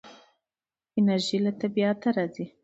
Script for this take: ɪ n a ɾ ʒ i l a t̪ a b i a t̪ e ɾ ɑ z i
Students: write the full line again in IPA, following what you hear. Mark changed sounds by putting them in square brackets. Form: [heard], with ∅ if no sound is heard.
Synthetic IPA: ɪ n a ɾ ʒ i l a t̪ a b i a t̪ [a] ɾ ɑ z i

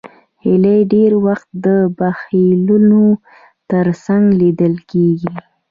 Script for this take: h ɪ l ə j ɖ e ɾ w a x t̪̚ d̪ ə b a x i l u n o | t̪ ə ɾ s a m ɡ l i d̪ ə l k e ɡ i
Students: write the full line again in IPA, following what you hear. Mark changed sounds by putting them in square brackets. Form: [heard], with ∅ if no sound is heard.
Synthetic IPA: h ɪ l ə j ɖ e ɾ w a x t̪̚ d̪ ə b a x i l u n o | t̪ ə ɾ s a [ŋ] ɡ l i d̪ ə l k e ɡ i

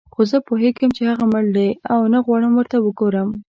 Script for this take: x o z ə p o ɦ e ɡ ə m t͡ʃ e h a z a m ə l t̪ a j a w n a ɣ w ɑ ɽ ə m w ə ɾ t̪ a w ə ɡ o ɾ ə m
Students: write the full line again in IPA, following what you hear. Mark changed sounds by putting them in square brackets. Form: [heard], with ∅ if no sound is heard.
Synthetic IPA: x o z ə p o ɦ e ɡ ə m t͡ʃ e h a [ɣ] a m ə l [d̪] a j a w n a ɣ w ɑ ɽ ə m w ə ɾ t̪ a w ə ɡ o ɾ ə m

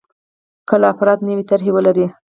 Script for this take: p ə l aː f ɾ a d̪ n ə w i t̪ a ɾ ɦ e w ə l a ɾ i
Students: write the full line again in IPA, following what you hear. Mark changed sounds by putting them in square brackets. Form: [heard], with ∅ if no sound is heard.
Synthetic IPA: [k] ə l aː f ɾ [ɑ] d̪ n ə w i t̪ a ɾ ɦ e w ə l a ɾ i

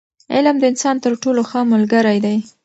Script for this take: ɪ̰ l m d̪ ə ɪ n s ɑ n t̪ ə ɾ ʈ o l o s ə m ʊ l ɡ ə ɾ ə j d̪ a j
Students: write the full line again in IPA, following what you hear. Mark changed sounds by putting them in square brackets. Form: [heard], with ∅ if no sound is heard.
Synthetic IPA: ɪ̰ l m d̪ ə ɪ n s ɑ n t̪ ə ɾ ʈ o l o [x] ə m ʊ l ɡ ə ɾ [a] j d̪ a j

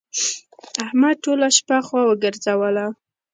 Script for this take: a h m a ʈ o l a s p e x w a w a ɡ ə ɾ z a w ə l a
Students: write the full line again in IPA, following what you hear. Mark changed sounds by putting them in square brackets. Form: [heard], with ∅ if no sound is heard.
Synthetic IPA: a h m a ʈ o l a [ʃ] p [a] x w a w [ə] ɡ ə ɾ z a w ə l a

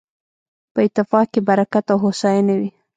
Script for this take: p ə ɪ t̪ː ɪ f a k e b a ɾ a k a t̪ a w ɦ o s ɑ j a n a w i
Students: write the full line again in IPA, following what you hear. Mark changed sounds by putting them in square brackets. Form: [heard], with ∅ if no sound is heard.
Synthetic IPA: p ə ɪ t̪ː ɪ f [ɑ] k e b a ɾ a k a t̪ a w ɦ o s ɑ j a n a w i

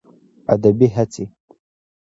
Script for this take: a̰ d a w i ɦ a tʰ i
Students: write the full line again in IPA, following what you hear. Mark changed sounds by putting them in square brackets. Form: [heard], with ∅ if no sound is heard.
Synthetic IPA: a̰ d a [b] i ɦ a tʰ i

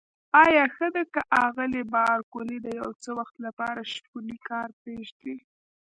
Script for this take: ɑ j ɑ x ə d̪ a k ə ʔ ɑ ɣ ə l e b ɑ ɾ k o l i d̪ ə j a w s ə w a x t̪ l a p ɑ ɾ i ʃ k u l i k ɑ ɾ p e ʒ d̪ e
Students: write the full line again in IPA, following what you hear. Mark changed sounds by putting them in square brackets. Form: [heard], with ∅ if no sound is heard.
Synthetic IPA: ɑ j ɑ x ə d̪ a k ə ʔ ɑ ɣ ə l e b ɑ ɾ k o l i d̪ ə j a w [t͡s] ə w a x t̪ l a p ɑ ɾ [a] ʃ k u l i k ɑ ɾ p e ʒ d̪ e

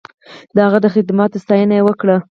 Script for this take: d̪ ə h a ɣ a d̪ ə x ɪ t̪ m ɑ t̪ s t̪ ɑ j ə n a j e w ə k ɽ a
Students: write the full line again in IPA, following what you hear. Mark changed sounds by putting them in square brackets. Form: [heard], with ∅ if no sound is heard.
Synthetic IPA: d̪ ə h a ɣ a d̪ ə x ɪ [d̪] m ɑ t̪ s t̪ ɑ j ə n a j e w ə k ɽ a

